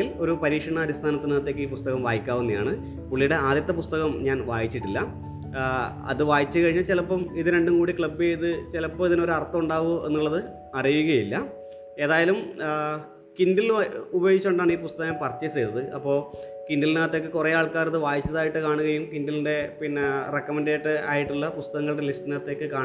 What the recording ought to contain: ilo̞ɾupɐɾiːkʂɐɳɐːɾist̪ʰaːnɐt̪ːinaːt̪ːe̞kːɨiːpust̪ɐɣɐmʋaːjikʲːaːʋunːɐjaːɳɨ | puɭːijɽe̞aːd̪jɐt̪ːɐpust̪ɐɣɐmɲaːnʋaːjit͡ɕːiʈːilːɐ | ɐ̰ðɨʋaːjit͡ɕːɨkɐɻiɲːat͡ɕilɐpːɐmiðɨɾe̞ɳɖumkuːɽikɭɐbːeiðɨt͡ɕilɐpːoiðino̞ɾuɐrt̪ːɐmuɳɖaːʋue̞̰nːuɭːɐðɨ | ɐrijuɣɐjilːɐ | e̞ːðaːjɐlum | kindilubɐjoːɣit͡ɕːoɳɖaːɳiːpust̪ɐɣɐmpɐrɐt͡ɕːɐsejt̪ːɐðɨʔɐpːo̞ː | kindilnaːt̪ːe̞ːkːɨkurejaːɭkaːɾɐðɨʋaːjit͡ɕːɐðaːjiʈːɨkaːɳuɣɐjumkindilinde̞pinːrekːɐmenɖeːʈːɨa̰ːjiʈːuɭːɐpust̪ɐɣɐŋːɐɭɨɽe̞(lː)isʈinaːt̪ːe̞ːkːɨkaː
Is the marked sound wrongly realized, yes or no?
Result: yes